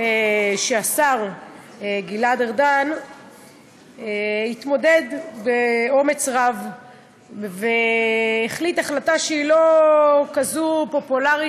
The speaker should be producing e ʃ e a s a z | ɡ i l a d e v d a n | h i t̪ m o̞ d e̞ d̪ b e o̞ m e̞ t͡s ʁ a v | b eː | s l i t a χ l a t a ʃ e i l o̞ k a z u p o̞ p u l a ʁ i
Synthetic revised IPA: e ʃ e a s a ʁ | ɡ i l a d e ʁ d a n | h i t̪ m o̞ d e̞ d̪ b e o̞ m e̞ t͡s ʁ a v | v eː | χ l i t a χ l a t a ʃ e i l o̞ k a z u p o̞ p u l a ʁ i